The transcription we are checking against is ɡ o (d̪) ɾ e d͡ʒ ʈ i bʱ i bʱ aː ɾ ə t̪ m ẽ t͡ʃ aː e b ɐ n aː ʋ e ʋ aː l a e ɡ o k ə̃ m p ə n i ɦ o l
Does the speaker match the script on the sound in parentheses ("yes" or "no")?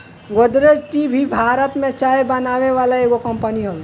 yes